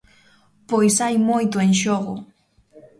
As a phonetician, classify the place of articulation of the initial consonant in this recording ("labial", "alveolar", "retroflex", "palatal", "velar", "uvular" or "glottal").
labial